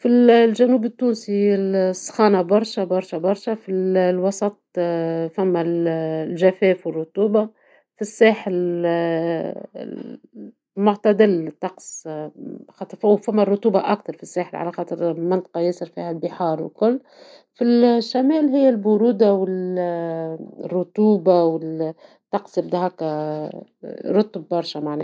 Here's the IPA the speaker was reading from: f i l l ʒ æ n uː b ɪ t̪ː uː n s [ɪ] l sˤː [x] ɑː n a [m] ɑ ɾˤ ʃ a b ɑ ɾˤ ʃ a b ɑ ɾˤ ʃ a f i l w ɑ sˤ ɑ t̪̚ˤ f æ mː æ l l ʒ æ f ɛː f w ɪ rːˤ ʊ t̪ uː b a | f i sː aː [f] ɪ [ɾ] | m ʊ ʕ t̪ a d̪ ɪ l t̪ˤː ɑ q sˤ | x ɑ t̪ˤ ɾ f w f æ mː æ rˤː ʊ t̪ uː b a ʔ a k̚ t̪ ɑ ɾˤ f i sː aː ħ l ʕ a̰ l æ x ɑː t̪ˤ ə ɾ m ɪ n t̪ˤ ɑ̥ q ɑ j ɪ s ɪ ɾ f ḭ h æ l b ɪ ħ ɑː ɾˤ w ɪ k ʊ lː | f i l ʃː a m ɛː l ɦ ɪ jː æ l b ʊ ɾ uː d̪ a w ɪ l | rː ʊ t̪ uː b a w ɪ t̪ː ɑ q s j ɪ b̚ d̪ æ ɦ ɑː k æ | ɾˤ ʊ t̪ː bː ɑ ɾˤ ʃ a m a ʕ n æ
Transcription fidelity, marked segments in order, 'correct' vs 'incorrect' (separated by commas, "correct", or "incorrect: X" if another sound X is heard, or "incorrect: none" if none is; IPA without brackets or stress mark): incorrect: i, correct, incorrect: b, incorrect: ħ, incorrect: l